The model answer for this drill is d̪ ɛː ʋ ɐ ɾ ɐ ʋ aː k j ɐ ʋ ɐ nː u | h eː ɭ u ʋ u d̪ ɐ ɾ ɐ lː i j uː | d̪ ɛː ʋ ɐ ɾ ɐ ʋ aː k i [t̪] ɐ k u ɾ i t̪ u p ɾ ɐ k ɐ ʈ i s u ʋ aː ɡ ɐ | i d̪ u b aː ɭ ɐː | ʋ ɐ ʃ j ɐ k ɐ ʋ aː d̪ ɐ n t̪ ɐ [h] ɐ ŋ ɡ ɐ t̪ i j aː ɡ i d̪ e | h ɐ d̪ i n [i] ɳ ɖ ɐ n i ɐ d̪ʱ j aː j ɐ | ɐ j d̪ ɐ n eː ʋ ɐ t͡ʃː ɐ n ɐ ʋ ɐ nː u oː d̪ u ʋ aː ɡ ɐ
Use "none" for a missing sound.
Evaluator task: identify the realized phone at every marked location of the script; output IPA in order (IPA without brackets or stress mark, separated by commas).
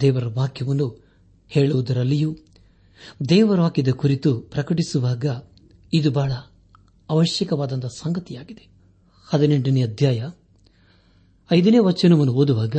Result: d̪, s, e